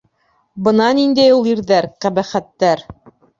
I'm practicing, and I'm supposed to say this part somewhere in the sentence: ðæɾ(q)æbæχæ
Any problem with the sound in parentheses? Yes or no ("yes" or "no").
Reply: no